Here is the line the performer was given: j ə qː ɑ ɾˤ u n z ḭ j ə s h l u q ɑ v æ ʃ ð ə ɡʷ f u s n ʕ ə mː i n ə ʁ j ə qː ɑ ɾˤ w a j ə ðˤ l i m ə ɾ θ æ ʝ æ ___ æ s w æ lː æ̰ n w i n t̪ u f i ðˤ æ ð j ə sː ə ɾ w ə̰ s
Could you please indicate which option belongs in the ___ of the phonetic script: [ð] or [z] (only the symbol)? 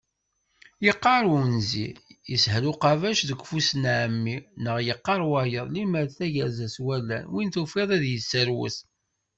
z